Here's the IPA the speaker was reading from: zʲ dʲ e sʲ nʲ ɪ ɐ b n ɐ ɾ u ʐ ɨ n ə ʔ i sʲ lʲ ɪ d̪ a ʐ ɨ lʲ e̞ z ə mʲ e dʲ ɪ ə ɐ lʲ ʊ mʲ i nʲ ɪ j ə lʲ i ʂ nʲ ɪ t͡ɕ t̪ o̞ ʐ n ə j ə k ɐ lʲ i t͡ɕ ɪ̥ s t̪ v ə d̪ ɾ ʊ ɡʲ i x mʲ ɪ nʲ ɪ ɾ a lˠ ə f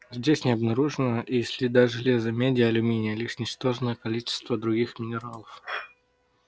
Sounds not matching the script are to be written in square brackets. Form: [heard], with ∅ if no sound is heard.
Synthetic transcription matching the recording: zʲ dʲ e sʲ nʲ ɪ ɐ b n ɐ ɾ u ʐ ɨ n ə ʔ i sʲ lʲ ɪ d̪ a ʐ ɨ lʲ e̞ z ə mʲ e dʲ ɪ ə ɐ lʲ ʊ mʲ i nʲ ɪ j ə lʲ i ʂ nʲ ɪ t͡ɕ t̪ o̞ ʐ n ə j ə k ɐ lʲ i t͡ɕ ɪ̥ s t̪ v ə d̪ ɾ ʊ ɡʲ i x mʲ ɪ nʲ ɪ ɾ a lˠ ə f

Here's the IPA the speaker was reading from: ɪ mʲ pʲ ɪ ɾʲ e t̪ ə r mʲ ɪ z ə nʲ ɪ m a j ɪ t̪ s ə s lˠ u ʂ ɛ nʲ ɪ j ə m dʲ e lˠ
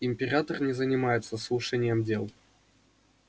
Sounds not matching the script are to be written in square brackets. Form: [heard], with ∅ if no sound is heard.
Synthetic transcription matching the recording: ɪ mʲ pʲ ɪ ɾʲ [a] t̪ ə r [nʲ] ɪ z ə nʲ ɪ m a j ɪ t̪ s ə s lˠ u ʂ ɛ nʲ ɪ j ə m dʲ e lˠ

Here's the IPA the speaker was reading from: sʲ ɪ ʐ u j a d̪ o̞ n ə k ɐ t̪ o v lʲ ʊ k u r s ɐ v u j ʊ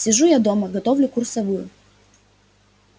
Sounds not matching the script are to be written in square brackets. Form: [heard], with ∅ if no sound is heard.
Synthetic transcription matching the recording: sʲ ɪ ʐ u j a d̪ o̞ [m] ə [ɡ] ɐ t̪ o v lʲ ʊ k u r s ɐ v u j ʊ

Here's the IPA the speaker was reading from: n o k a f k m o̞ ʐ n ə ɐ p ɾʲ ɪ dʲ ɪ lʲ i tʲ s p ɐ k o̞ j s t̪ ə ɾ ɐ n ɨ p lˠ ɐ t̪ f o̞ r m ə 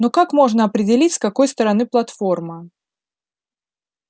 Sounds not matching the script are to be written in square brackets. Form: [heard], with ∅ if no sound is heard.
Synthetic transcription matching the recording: n o k a [∅] k m o̞ ʐ n ə ɐ p ɾʲ ɪ dʲ ɪ lʲ i tʲ s [k] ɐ k o̞ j s t̪ ə ɾ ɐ n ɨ p lˠ ɐ t̪ f o̞ r m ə

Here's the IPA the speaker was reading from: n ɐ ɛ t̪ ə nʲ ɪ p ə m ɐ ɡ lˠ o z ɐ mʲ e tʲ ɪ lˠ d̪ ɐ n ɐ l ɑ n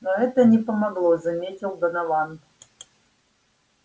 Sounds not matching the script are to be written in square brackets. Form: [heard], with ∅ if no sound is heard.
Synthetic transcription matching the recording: n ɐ ɛ t̪ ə nʲ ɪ p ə m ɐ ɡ lˠ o z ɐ mʲ e tʲ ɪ lˠ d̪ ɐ n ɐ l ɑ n

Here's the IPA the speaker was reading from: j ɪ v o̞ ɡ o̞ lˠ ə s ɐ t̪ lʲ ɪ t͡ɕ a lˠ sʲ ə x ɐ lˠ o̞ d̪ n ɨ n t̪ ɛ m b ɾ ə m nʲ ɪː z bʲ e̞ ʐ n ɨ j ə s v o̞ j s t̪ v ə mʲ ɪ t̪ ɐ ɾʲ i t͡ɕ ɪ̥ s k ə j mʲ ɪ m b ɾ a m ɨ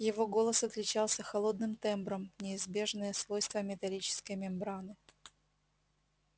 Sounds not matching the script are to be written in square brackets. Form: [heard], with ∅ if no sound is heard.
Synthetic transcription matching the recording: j ɪ v o̞ ɡ o̞ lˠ ə s ɐ t̪ lʲ ɪ t͡ɕ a lˠ sʲ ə x ɐ lˠ o̞ d̪ n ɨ [m] t̪ ɛ m b ɾ ə m nʲ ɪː z bʲ e̞ ʐ n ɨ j ə s v o̞ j s t̪ v ə mʲ ɪ t̪ ɐ [lʲ] i t͡ɕ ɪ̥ s k ə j mʲ ɪ m b ɾ a [n] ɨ

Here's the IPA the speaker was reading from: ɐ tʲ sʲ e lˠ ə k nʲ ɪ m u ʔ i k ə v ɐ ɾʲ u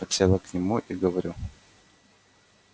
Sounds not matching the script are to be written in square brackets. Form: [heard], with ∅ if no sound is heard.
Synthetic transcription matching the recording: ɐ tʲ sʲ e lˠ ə k nʲ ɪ m u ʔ i [ɡ] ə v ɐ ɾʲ u

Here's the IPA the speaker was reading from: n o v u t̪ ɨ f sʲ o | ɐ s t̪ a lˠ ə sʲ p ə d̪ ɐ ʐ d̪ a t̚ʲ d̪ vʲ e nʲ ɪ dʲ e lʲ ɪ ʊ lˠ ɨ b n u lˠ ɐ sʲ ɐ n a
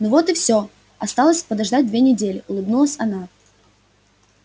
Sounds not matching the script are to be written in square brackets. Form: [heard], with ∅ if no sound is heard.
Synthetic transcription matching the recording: n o v [o] t̪ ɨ f sʲ o | ɐ s t̪ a lˠ ə sʲ p ə d̪ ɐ ʐ d̪ a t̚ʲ d̪ vʲ e nʲ ɪ dʲ e lʲ ɪ ʊ lˠ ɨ b n u lˠ [ə] sʲ ɐ n a

